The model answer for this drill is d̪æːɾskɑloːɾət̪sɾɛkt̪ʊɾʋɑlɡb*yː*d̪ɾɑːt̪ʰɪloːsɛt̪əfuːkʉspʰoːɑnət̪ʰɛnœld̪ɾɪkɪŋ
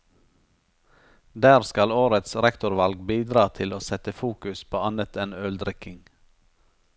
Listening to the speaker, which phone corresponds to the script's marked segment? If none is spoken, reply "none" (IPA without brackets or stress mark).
iː